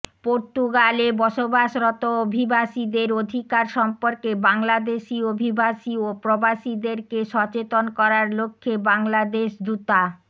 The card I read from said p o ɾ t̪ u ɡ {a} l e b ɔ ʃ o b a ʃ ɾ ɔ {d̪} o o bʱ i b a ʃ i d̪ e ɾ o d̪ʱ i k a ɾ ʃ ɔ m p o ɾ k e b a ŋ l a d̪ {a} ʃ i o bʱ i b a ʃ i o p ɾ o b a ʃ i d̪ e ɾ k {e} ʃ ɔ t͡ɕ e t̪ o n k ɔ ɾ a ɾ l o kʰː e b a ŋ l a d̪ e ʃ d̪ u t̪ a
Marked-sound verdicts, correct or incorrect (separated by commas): correct, incorrect, incorrect, correct